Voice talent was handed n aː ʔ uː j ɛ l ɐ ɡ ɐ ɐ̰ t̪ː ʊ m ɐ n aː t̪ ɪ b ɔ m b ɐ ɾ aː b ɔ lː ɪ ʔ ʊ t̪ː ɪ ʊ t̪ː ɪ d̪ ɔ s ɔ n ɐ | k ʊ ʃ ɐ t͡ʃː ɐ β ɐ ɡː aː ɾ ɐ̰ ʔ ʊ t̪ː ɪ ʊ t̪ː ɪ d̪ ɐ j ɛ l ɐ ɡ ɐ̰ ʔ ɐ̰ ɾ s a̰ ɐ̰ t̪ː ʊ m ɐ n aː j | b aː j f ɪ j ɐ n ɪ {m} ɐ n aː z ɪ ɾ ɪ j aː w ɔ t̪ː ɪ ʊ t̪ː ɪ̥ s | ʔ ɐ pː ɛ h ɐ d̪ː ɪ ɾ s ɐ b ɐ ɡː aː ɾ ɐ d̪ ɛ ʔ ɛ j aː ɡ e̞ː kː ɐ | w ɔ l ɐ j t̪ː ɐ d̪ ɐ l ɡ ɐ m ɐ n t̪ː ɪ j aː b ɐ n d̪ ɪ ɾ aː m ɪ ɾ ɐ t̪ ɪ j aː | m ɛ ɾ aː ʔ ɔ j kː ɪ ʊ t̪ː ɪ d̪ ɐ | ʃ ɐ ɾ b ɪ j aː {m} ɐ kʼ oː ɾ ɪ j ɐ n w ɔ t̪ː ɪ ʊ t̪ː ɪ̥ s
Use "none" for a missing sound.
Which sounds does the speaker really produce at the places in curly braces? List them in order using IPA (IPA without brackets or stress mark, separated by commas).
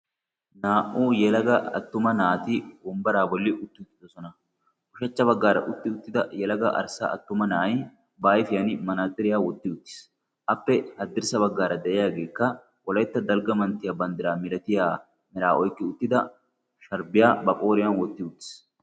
m, b